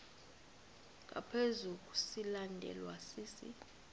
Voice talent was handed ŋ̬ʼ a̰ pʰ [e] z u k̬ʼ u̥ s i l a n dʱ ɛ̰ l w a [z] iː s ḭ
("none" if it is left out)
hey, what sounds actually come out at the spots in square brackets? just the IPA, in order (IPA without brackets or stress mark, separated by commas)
e, s